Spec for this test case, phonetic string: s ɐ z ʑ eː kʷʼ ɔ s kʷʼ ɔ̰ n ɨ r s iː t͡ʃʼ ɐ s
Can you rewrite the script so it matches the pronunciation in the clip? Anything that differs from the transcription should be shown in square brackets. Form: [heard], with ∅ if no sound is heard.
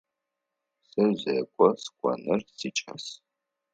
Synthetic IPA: s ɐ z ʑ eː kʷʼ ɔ s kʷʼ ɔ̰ n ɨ r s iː t͡ʃʼ ɐ s